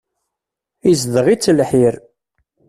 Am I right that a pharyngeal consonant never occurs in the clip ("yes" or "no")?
no